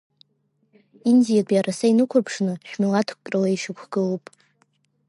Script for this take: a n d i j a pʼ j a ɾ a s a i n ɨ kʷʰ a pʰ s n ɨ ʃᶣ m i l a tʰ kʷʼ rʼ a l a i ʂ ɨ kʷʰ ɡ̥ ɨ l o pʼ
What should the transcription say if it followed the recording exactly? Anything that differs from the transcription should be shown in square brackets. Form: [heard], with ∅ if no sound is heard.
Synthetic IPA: [i] n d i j a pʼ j a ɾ a s a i n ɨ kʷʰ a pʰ [ʂ] n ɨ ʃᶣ m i l a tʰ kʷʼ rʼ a l a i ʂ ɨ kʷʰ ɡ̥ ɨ l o pʼ